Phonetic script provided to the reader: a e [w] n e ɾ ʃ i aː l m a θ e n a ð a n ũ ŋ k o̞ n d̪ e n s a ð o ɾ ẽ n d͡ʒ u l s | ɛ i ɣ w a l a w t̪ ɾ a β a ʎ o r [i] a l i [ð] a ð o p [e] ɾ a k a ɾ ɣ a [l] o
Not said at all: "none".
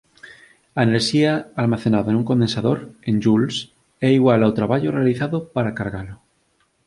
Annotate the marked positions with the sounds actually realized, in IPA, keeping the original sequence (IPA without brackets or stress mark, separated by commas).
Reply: none, e, θ, a, l